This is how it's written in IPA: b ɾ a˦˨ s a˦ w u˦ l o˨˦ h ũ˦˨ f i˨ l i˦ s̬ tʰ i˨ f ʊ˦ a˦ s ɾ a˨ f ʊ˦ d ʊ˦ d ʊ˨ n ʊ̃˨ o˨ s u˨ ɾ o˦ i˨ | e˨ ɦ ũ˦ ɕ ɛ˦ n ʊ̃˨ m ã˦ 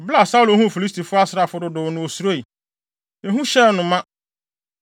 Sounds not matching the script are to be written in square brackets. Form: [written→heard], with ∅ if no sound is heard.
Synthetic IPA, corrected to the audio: b [ɾ→l] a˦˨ s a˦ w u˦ l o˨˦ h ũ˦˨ f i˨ l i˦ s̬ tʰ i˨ f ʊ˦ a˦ s ɾ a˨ f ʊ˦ d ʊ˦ d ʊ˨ n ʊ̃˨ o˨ s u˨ ɾ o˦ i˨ | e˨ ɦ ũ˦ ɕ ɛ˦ n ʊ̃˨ m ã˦